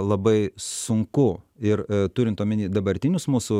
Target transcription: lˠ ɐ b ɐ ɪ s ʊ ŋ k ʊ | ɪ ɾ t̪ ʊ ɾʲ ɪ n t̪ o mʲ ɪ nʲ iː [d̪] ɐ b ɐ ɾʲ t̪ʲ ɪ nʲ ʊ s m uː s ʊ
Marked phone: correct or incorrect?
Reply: correct